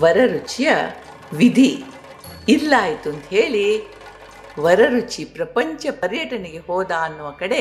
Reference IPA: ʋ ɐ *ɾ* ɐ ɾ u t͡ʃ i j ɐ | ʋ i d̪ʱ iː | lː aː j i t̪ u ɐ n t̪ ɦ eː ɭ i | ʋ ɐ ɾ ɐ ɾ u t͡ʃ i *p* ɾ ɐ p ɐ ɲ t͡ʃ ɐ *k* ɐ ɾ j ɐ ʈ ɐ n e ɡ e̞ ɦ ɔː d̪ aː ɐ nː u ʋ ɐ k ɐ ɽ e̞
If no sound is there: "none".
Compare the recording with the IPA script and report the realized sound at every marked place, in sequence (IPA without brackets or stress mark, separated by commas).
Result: ɾ, p, p